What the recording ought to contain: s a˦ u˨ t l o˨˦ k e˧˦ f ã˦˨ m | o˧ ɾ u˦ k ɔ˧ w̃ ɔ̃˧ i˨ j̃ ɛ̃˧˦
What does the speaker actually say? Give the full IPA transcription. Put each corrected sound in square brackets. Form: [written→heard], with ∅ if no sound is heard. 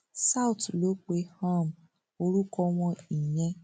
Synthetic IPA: s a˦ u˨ t l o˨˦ [k→k͡p] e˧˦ [f→h] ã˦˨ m | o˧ ɾ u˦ k ɔ˧ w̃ ɔ̃˧ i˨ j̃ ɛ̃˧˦